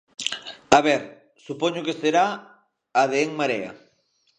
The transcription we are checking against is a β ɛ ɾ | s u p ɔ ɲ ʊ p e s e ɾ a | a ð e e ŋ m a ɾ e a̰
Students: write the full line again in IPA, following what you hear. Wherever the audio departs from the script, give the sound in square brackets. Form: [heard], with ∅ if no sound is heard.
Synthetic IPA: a β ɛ ɾ | s u p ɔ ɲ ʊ [k] e s e ɾ a | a ð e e ŋ m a ɾ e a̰